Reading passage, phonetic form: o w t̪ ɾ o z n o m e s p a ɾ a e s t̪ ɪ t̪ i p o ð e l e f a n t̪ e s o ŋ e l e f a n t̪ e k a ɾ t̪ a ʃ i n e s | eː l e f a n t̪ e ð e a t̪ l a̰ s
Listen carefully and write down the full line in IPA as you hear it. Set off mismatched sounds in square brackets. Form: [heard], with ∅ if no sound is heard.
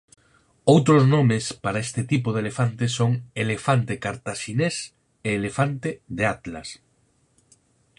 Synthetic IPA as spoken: o w t̪ ɾ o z n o m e s p a ɾ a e s t̪ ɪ t̪ i p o ð e l e f a n t̪ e s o ŋ e l e f a n t̪ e k a ɾ t̪ a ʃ i n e s | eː l e f a n t̪ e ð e a t̪ l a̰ s